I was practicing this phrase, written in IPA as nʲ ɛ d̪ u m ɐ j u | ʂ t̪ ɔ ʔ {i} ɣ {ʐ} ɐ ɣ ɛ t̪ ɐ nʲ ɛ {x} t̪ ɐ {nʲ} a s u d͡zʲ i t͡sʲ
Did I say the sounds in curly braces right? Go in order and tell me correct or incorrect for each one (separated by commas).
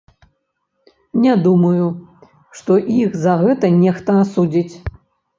correct, incorrect, correct, incorrect